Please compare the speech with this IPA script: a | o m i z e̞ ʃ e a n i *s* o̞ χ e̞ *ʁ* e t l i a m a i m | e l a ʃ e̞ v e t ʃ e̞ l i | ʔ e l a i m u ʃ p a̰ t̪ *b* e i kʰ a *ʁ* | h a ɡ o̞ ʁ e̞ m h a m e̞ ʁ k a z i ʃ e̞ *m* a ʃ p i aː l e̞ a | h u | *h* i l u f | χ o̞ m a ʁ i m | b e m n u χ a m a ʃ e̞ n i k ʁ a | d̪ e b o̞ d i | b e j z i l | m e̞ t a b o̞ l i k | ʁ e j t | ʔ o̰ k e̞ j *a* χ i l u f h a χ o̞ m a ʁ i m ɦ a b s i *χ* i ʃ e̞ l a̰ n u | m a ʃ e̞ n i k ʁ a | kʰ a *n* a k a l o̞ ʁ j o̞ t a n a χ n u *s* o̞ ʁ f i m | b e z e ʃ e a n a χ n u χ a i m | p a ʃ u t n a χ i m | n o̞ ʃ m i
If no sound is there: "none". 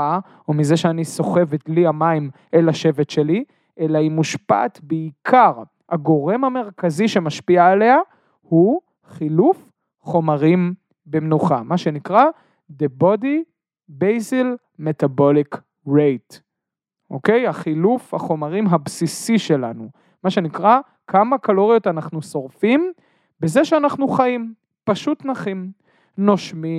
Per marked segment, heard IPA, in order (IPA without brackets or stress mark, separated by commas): s, v, b, ʁ, m, χ, a, s, m, s